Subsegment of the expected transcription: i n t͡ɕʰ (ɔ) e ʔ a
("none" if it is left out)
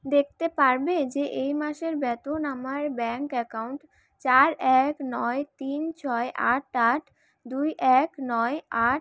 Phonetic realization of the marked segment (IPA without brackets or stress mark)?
ɔ